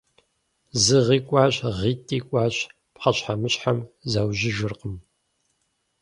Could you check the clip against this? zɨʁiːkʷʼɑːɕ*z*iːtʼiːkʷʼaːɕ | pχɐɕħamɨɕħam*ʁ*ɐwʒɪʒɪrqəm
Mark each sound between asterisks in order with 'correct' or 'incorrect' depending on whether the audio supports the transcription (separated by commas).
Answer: incorrect, incorrect